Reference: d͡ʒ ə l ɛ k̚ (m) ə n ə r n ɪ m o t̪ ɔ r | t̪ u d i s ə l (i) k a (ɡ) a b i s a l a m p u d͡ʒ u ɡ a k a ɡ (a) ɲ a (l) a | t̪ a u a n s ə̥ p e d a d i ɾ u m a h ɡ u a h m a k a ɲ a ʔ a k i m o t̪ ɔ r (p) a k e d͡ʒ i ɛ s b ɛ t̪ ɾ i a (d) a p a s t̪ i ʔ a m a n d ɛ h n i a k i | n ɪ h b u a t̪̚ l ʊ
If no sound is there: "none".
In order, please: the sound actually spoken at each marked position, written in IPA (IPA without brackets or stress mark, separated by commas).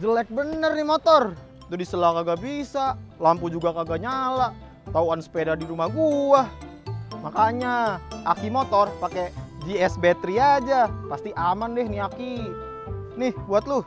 b, a, ɡ, a, l, p, d͡ʒ